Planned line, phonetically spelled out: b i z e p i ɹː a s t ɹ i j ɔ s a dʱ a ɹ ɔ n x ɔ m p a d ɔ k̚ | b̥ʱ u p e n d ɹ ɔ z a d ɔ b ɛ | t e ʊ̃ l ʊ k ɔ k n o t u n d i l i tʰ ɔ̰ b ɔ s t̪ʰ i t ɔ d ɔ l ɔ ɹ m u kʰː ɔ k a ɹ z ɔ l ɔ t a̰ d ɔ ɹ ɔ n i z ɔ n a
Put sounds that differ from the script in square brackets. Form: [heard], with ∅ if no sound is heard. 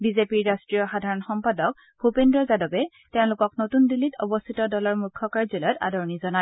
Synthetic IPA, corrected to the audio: b i z e p i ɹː a s t ɹ i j ɔ [x] a dʱ a ɹ ɔ n x ɔ m p a d ɔ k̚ | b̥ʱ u p e n d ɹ ɔ z a d ɔ b ɛ | t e ʊ̃ l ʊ k ɔ k n o t u n d i l i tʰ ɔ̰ b ɔ s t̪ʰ i t ɔ d ɔ l ɔ ɹ m u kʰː ɔ k a ɹ z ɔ l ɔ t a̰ d ɔ ɹ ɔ n i z ɔ n a